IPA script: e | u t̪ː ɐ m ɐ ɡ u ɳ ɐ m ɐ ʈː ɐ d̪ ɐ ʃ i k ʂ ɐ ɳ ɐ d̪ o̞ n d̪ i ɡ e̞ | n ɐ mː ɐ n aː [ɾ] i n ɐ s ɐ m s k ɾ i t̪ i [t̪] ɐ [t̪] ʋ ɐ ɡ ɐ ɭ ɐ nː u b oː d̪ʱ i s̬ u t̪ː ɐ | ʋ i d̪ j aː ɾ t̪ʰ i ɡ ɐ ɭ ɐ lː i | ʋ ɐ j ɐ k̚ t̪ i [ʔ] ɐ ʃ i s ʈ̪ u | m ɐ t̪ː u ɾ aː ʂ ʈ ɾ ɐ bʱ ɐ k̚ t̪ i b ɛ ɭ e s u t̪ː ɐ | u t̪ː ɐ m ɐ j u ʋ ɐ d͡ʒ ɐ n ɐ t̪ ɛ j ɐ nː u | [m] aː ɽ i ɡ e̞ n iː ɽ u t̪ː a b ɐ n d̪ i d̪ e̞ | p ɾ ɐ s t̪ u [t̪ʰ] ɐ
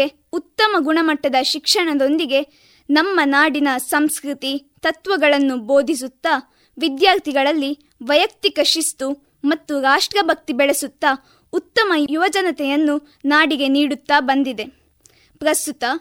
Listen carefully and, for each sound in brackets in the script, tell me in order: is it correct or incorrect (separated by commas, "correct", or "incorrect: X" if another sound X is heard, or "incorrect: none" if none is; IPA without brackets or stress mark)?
incorrect: ɽ, correct, correct, incorrect: k, incorrect: n, incorrect: t̪